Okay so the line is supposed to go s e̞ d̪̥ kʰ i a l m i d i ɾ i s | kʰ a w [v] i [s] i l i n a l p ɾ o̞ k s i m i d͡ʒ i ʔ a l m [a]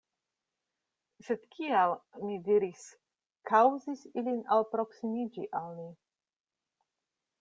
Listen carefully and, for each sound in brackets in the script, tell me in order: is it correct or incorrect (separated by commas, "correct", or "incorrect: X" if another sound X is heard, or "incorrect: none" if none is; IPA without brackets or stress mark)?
incorrect: z, correct, incorrect: i